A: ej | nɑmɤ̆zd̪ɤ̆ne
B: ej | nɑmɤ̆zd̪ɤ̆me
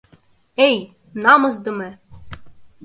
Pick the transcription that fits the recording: B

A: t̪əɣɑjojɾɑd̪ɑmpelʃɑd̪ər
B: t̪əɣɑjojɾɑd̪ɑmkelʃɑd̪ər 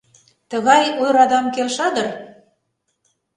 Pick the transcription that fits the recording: B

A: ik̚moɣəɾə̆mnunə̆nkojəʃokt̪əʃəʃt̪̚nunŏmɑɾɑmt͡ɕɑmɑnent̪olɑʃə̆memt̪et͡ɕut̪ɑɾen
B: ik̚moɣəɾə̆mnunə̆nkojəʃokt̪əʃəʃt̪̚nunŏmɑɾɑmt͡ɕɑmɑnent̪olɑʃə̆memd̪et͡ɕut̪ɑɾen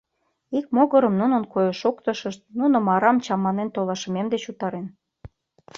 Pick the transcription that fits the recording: B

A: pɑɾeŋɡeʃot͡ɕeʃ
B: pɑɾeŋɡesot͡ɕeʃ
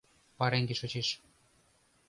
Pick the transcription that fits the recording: A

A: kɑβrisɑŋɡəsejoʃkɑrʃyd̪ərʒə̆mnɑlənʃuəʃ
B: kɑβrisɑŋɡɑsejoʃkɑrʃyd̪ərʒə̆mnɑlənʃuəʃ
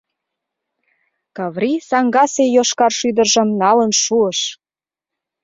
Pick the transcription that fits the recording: B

